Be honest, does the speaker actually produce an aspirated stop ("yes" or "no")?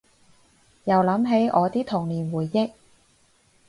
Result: yes